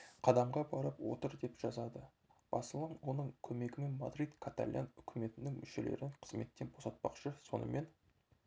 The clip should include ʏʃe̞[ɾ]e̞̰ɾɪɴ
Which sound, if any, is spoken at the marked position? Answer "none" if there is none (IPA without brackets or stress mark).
l